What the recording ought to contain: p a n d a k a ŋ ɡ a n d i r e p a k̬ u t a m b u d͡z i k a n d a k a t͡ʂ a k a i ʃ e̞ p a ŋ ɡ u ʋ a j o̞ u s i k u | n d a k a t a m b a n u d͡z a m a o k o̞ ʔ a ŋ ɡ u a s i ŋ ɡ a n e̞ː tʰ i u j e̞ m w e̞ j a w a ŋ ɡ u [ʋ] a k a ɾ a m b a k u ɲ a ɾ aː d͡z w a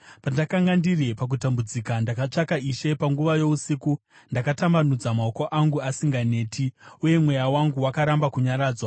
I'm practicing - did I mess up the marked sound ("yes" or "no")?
yes